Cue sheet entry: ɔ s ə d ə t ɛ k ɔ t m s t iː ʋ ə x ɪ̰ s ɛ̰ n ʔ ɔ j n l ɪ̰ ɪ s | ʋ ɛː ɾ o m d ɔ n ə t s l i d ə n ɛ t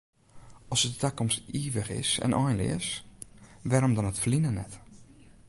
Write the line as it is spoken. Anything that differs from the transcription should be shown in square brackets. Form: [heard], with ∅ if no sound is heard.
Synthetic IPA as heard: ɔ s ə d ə t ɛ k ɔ [∅] m s t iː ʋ ə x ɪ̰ s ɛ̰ n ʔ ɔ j n l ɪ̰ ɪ s | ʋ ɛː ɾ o m d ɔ n ə t [f] l i [n] ə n ɛ t